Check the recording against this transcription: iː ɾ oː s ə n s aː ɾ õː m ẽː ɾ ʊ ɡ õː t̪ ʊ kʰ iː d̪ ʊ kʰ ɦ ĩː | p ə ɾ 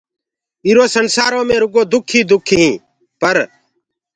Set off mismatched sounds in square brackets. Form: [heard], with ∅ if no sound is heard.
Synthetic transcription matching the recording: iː ɾ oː s ə n s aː ɾ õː m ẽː ɾ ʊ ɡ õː [d̪] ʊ kʰ iː d̪ ʊ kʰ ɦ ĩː | p ə ɾ